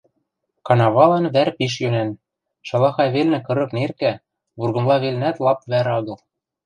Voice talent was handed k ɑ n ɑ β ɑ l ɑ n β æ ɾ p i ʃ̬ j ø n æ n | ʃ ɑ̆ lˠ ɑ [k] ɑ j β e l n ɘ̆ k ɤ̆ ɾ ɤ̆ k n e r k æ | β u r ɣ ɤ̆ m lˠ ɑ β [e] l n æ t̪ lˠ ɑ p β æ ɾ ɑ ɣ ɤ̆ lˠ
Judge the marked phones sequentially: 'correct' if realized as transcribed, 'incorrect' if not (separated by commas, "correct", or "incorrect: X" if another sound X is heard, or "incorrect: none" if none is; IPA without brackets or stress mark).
incorrect: x, correct